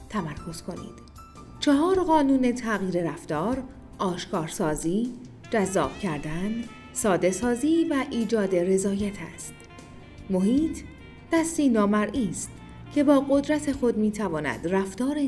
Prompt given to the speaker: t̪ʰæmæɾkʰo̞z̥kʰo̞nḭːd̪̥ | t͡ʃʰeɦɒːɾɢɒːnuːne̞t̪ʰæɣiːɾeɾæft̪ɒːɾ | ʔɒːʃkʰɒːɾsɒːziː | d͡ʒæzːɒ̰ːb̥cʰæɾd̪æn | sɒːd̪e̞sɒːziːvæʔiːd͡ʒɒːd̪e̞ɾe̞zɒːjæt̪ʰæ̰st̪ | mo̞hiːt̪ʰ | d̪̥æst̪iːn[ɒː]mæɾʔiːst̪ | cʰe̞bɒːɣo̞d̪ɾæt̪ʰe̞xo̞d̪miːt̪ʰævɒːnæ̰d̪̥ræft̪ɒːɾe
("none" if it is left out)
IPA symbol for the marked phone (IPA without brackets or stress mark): ɒː